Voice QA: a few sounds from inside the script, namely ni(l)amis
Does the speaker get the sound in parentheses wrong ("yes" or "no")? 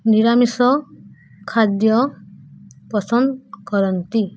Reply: yes